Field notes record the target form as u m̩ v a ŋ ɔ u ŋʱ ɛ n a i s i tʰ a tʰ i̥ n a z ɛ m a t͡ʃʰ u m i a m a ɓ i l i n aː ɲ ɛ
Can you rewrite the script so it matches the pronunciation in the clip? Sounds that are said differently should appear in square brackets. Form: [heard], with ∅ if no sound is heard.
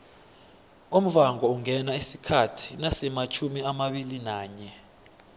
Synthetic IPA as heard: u m̩ v a ŋ ɔ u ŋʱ ɛ n a i s i [kʰ] a tʰ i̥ n a [s] ɛ m a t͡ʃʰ u m i a m a ɓ i l i n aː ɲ ɛ